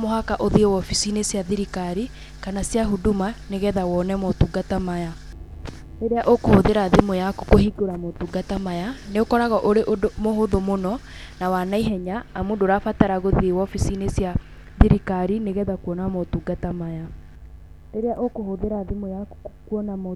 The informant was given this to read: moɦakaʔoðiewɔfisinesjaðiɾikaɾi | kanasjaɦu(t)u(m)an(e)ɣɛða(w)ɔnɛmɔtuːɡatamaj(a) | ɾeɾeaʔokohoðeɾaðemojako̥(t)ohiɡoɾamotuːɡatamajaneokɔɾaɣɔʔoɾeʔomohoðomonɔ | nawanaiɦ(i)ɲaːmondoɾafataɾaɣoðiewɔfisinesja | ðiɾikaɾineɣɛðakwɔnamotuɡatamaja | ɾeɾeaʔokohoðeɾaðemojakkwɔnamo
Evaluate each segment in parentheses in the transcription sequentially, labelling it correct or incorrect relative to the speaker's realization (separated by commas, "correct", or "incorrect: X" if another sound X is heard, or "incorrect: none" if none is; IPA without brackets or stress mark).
incorrect: d, correct, correct, correct, correct, incorrect: k, incorrect: ɛ